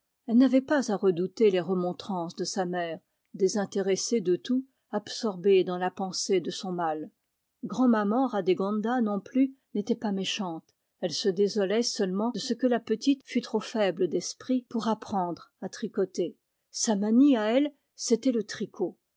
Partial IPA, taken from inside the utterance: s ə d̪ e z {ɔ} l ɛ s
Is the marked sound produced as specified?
yes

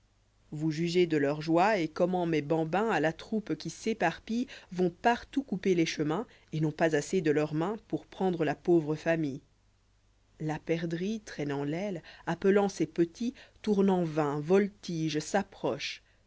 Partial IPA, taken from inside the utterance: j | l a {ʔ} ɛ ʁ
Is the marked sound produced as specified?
no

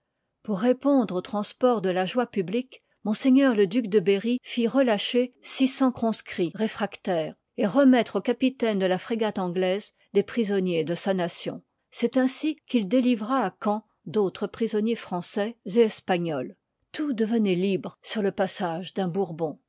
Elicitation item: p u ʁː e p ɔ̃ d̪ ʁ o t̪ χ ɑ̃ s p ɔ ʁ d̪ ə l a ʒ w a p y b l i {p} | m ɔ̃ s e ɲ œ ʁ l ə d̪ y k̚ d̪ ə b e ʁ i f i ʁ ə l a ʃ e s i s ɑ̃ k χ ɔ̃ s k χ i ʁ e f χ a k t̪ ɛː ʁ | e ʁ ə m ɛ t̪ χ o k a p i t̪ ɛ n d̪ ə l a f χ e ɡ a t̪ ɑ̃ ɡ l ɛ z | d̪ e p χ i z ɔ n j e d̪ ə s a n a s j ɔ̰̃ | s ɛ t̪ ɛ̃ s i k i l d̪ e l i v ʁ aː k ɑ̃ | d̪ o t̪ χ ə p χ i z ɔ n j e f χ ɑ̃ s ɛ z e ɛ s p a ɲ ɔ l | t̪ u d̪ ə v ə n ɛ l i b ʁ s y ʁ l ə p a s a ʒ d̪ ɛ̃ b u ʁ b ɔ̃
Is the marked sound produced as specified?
no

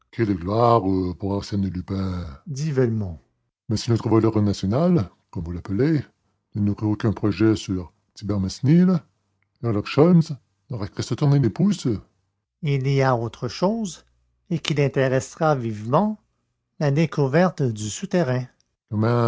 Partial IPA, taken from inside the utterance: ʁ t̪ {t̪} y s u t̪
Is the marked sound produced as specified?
no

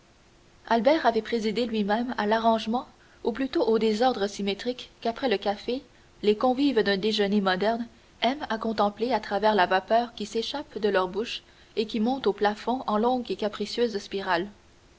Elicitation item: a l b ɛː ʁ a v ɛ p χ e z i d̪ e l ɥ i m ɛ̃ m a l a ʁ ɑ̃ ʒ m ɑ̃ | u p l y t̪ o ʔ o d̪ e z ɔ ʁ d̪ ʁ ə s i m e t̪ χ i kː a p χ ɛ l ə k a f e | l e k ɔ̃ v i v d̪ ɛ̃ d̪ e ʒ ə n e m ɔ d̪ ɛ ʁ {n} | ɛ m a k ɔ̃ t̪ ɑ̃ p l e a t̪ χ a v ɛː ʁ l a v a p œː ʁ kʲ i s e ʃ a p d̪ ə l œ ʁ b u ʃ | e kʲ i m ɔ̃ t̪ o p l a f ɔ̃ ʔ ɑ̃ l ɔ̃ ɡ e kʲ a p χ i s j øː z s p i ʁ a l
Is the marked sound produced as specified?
yes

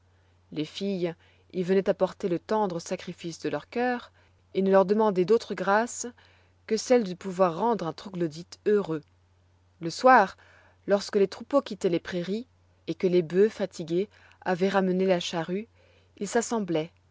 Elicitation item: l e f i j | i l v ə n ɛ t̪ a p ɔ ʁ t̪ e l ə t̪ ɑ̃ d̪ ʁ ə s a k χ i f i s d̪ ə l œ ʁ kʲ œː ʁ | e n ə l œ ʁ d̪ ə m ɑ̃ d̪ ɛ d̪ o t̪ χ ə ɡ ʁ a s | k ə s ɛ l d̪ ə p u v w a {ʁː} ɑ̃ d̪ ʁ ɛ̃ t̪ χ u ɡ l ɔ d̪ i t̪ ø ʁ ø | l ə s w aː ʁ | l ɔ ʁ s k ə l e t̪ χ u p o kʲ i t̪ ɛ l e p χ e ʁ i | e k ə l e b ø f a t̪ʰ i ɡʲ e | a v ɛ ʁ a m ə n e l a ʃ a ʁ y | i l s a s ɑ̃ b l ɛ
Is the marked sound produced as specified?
yes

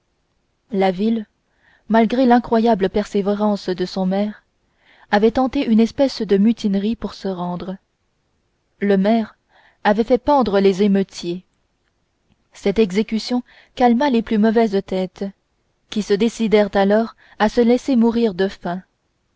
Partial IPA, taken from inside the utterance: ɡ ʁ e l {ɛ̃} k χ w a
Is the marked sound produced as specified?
yes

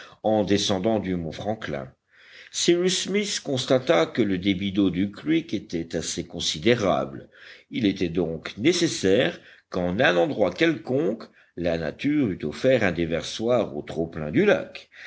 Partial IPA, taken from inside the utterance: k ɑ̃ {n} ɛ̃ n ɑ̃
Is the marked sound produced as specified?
yes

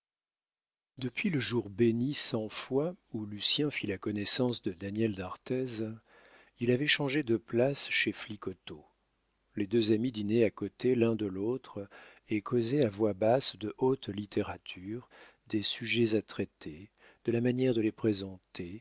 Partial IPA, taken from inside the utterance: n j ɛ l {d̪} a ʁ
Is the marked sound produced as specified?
yes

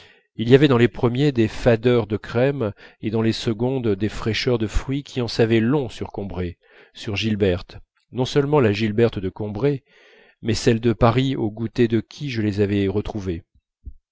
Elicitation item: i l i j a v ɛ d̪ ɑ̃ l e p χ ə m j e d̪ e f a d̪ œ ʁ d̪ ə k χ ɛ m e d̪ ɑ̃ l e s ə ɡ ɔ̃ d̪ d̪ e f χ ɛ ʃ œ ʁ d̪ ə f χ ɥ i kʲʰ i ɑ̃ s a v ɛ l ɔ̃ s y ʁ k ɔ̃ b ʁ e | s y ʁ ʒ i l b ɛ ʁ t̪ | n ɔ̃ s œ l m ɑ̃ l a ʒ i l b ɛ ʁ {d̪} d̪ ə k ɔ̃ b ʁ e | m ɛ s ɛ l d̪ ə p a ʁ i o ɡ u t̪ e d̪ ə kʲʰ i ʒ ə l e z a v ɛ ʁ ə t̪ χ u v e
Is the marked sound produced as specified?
no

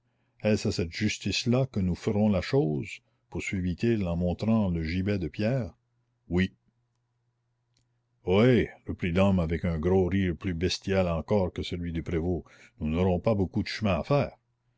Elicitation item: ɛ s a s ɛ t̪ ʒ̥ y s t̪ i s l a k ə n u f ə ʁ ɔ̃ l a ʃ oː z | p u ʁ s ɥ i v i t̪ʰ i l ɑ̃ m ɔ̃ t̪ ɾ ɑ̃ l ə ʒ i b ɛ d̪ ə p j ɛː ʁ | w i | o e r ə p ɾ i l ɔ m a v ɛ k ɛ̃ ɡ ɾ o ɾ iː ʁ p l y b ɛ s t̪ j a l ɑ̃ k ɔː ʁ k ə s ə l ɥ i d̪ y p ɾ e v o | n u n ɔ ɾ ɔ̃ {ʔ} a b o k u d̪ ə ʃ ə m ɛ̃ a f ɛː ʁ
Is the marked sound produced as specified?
no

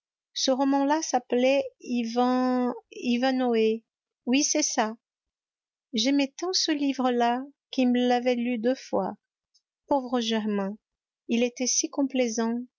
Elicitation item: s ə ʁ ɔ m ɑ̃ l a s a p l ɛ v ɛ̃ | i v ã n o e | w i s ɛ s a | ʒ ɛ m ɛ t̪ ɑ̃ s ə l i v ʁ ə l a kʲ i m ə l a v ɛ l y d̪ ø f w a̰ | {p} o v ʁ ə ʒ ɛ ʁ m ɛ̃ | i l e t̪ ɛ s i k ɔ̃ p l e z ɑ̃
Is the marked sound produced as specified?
yes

